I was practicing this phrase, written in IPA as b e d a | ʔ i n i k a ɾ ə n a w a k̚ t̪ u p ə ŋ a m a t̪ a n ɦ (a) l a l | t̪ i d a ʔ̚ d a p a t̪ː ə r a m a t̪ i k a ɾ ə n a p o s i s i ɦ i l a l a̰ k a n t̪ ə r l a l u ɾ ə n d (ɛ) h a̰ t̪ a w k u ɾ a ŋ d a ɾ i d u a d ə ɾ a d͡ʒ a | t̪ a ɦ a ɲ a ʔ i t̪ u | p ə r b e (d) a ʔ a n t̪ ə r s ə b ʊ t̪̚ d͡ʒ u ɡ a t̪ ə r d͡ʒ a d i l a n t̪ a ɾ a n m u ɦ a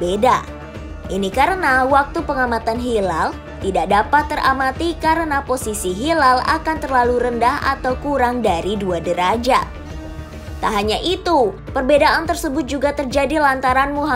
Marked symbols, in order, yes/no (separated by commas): no, no, yes